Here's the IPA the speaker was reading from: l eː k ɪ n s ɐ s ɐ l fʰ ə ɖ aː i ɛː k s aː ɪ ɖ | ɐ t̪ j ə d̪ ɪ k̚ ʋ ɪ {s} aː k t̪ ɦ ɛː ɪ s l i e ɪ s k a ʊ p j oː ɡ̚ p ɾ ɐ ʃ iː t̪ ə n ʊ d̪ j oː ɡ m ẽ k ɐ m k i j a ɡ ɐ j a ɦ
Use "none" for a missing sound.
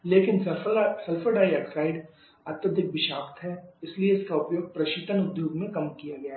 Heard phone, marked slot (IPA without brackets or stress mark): ʃ